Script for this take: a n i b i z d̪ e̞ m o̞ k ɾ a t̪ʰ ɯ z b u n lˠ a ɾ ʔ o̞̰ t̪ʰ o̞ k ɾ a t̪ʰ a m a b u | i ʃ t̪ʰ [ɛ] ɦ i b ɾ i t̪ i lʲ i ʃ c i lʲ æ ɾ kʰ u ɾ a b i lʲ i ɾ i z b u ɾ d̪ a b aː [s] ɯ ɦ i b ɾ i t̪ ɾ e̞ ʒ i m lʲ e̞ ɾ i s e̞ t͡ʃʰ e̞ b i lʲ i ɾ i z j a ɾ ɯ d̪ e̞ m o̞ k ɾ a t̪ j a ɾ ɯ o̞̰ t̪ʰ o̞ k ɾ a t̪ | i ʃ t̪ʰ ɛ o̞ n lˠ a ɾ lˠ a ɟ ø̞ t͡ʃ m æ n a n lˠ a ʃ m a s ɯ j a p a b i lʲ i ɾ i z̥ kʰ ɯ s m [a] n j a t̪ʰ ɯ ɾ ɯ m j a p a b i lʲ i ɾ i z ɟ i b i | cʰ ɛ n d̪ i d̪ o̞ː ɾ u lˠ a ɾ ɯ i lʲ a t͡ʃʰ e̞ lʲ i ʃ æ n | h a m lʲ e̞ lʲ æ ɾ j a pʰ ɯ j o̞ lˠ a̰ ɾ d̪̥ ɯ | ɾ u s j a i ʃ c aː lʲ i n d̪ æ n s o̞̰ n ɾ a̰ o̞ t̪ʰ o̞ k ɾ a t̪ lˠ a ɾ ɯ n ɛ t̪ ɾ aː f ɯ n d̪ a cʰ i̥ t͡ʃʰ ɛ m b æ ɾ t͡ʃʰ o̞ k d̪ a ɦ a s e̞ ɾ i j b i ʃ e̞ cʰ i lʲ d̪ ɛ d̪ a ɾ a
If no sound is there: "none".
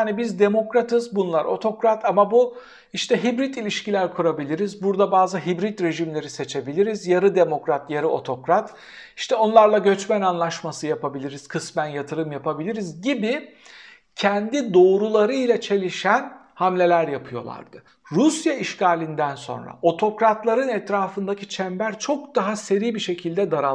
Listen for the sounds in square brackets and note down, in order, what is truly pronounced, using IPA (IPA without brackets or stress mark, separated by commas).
ɛ, z, æ